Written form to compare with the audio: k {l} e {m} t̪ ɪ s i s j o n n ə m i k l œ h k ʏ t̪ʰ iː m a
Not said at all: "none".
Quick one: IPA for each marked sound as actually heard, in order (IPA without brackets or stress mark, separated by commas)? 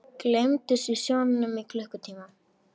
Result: l, m